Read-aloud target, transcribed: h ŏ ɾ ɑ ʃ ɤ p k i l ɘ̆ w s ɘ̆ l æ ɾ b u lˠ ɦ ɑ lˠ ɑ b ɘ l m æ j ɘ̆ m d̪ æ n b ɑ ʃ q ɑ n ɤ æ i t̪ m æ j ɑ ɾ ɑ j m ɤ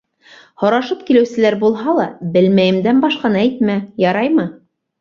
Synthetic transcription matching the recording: h ŏ ɾ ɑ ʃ ɤ p k i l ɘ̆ w s ɘ̆ l æ ɾ b u lˠ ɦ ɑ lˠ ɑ b ɘ l m æ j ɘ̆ m d̪ æ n b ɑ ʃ q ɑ n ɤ æ j t̪ m æ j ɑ ɾ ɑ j m ɤ